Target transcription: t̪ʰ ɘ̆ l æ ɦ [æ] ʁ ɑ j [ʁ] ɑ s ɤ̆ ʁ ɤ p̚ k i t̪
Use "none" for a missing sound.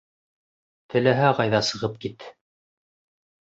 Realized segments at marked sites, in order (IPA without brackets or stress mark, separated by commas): æ, ð